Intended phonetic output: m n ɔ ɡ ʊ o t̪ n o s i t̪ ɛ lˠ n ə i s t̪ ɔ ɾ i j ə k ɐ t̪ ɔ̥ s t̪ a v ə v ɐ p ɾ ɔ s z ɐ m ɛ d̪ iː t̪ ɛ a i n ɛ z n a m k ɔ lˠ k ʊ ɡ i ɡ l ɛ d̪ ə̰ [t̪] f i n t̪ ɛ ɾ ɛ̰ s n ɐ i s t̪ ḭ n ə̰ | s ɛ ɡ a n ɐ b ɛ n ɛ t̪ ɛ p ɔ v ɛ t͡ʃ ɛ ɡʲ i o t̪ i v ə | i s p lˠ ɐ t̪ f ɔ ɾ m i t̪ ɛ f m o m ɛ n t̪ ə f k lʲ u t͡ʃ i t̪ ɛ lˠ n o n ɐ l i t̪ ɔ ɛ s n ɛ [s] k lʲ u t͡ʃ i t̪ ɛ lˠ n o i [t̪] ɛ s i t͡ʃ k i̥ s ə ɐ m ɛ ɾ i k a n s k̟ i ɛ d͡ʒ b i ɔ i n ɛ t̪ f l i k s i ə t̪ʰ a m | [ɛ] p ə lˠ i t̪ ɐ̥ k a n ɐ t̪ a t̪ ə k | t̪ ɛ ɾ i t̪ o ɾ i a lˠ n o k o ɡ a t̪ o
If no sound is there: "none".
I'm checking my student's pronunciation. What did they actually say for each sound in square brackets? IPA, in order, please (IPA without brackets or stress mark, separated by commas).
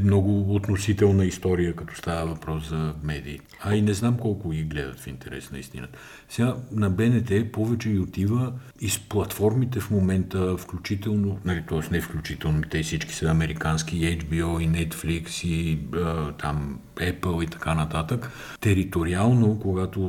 t̪, f, t̪, ɛ